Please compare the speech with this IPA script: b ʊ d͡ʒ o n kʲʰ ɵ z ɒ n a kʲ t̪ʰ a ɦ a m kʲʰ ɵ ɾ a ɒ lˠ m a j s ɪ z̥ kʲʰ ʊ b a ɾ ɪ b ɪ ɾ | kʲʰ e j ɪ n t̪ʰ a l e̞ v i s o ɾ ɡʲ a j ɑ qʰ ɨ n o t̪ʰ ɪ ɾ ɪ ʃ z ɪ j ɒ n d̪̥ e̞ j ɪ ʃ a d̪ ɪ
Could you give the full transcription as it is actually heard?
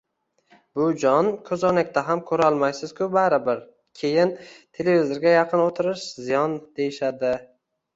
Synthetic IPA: b ʊ d͡ʒ ɒ n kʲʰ ɵ z ɒ n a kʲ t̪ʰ a ɦ a m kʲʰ ɵ ɾ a ɒ lˠ m a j s ɪ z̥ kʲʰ ʊ b a ɾ ɪ b ɪ ɾ | kʲʰ e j ɪ n t̪ʰ e l e̞ v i z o ɾ ɡʲ a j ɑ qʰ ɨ n o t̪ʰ ɪ ɾ ɪ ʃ z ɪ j ɒ n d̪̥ e̞ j ɪ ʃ a d̪ ɪ